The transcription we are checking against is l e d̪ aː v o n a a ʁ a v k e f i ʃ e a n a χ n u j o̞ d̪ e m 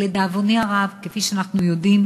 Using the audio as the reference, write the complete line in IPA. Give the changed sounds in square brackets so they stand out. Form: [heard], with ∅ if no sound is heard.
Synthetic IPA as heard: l e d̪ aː v o n [i] a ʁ a v k e f i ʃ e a n a χ n u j o̞ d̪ [i] m